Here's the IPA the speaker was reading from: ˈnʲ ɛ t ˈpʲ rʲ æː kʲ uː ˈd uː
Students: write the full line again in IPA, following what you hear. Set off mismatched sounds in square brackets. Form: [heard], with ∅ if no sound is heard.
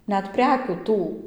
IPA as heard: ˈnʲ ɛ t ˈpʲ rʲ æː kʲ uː [ˈt] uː